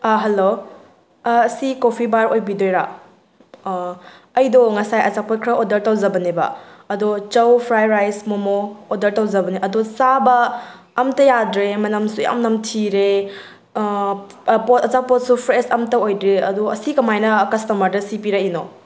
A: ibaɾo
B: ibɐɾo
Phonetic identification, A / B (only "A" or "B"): A